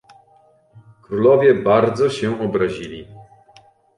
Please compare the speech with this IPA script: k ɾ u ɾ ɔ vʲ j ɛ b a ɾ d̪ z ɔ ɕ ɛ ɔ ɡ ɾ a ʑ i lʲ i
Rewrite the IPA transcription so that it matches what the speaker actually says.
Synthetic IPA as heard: k ɾ u l ɔ vʲ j ɛ b a ɾ d̪ z ɔ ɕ ɛ ɔ b ɾ a ʑ i lʲ i